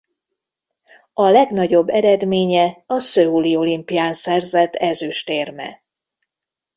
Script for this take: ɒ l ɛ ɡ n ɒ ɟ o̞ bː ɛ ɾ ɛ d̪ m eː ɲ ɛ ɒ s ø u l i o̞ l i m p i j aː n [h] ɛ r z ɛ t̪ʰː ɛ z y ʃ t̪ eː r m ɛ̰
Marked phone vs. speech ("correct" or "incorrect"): incorrect